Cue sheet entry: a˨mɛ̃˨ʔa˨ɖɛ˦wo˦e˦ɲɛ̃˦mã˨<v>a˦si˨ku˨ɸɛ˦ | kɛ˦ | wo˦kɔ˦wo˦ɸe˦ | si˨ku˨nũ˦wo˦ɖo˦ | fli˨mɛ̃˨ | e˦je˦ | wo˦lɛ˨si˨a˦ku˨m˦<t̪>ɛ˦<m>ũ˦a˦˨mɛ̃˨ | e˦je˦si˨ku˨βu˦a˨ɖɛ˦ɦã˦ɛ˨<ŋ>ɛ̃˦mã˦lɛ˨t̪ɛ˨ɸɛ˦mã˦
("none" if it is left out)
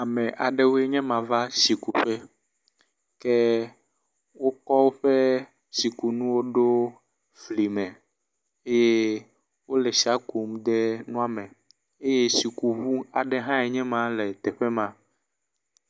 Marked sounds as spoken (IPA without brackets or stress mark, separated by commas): v, d̪, n, ɲ